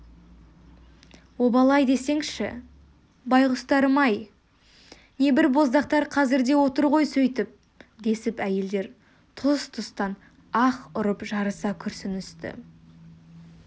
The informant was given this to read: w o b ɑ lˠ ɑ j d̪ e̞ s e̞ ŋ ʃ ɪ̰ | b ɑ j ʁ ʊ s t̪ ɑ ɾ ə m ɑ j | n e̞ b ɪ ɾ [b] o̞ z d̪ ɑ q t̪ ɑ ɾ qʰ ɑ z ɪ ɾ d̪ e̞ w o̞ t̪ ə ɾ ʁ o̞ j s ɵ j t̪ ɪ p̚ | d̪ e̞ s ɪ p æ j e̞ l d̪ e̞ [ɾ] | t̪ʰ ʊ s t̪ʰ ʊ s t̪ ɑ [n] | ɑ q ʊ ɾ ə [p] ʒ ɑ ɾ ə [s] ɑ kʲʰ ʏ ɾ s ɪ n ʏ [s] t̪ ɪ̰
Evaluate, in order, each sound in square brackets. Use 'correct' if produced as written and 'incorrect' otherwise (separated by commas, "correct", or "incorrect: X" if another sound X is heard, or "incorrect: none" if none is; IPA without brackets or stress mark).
correct, correct, correct, correct, correct, correct